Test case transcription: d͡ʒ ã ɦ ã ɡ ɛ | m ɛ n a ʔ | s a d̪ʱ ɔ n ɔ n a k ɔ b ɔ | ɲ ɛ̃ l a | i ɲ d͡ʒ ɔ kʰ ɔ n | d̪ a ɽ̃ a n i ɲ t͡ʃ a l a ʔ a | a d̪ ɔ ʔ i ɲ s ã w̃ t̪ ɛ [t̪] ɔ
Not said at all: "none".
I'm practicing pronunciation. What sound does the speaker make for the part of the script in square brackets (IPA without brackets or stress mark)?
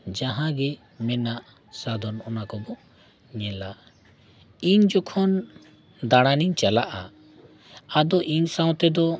d̪